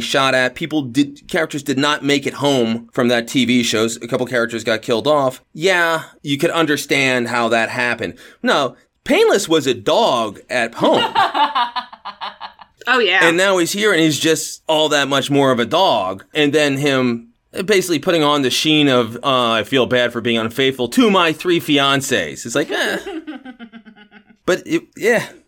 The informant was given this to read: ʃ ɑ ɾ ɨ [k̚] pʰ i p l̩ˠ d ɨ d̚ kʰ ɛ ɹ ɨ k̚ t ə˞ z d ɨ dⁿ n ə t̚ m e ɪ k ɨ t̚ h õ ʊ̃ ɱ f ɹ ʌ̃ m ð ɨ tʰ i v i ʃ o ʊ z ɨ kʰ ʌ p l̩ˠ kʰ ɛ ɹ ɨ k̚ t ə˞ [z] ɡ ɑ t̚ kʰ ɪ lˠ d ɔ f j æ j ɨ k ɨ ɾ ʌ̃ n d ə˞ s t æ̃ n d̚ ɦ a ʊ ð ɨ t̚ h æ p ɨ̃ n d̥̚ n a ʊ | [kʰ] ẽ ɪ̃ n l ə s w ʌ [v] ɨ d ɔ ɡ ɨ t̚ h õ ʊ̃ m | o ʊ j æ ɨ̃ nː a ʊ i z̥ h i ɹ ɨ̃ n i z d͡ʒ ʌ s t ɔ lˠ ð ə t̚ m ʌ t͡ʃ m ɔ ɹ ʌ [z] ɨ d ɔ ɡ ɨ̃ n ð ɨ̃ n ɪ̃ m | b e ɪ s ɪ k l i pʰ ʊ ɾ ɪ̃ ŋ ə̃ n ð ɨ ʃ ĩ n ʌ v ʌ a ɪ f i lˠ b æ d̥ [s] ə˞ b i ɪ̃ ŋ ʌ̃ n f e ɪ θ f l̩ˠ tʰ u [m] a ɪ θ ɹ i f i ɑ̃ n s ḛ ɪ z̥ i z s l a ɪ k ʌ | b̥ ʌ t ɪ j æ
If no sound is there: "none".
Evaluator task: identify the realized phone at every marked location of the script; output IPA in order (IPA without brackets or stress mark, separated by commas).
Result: t̚, z, pʰ, z, v, f, m